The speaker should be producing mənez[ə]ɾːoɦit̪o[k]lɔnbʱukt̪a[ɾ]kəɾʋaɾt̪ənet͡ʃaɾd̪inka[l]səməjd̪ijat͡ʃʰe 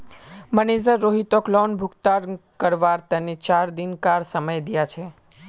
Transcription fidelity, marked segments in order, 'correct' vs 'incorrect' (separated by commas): correct, correct, correct, incorrect